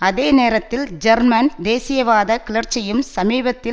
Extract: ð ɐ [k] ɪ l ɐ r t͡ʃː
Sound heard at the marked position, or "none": k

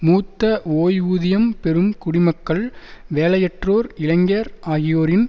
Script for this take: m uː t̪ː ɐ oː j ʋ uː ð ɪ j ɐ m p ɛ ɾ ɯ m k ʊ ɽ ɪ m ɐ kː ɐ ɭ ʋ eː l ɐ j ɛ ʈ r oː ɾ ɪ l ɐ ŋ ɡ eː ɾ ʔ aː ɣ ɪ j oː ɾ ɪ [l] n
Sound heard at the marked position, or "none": none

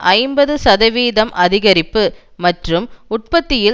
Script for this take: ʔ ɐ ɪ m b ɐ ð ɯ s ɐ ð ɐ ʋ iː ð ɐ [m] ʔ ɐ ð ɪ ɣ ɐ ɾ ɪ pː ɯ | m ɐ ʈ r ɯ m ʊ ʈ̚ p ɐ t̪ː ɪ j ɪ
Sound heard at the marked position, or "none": m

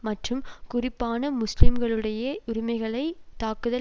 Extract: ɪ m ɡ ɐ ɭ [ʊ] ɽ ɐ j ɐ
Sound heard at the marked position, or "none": ɯ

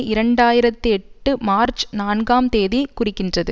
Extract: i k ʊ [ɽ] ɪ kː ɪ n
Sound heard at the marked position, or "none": r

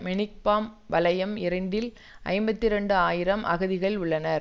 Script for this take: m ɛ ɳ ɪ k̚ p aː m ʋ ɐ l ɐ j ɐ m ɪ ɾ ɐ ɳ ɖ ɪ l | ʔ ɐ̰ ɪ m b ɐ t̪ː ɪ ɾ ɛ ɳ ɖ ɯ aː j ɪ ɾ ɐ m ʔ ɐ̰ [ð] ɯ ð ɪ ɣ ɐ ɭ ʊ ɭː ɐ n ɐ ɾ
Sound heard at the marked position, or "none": ɣ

